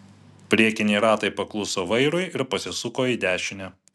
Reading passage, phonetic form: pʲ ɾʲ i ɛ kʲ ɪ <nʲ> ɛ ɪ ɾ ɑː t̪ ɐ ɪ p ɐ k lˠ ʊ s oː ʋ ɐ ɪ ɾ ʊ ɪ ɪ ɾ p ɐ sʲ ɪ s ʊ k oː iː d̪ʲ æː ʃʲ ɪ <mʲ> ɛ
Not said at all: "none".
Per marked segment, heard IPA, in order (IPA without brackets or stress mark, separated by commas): nʲ, nʲ